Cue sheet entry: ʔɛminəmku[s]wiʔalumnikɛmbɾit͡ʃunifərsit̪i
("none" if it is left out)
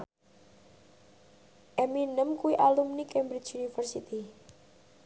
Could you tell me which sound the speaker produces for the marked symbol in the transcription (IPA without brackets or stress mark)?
none